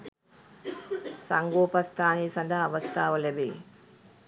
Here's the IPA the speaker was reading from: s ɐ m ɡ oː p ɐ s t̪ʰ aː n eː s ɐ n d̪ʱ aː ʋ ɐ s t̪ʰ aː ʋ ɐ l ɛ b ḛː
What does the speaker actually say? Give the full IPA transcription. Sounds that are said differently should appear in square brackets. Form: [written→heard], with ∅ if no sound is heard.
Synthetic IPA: s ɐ [m→ŋ] ɡ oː p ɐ s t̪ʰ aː n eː s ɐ n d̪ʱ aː ʋ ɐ s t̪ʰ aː ʋ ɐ l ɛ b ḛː